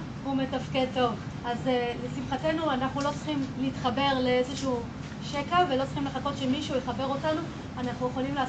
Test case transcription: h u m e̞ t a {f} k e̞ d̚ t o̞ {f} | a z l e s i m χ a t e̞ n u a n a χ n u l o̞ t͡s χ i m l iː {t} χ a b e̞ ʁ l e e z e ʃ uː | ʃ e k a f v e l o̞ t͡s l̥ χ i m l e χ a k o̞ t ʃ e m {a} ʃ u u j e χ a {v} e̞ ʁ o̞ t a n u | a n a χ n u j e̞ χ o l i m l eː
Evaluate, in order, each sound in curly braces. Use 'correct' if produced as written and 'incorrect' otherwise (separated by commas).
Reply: correct, incorrect, correct, incorrect, incorrect